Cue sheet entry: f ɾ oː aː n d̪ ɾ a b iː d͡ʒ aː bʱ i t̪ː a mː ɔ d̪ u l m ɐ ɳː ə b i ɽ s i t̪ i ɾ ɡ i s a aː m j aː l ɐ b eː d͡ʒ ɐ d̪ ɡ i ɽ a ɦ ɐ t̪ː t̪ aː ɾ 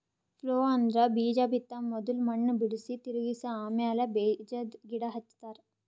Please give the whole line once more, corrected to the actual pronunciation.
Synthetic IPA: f l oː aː n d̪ ɾ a b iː d͡ʒ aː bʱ i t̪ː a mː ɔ d̪ u l m ɐ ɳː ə b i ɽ s i t̪ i ɾ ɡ i s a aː m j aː l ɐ b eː d͡ʒ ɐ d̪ ɡ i ɽ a ɦ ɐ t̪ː t̪ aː ɾ